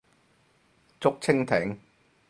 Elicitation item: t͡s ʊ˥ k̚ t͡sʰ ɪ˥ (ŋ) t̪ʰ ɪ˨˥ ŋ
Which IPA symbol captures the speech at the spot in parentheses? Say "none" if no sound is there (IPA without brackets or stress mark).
ŋ